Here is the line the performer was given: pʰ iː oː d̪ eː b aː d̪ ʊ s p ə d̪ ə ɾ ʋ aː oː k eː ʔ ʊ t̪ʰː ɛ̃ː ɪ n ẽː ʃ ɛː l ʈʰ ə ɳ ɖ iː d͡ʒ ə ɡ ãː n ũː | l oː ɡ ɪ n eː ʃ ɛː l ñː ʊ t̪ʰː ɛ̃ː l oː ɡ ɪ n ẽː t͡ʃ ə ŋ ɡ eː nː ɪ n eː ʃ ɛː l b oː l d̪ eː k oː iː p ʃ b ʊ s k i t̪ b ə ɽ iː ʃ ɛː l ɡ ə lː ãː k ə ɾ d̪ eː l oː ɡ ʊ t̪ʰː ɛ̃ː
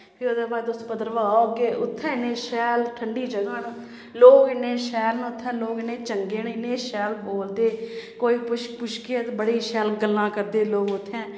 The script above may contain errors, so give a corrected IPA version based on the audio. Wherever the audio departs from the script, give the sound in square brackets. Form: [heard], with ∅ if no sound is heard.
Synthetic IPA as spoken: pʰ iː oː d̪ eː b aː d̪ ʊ s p ə d̪ ə ɾ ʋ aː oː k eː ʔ ʊ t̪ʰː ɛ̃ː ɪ n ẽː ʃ ɛː l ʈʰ ə ɳ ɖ iː d͡ʒ ə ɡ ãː n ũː | l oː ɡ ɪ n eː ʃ ɛː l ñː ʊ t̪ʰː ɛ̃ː l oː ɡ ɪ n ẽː t͡ʃ ə ŋ ɡ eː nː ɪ n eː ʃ ɛː l b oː l d̪ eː k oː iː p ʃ [p] ʊ [ʃ] k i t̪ b ə ɽ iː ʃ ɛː l ɡ ə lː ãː k ə ɾ d̪ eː l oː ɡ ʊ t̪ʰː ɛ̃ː